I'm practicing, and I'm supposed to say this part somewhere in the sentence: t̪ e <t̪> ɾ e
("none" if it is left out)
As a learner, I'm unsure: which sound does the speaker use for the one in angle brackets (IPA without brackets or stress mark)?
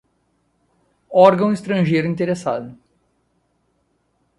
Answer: none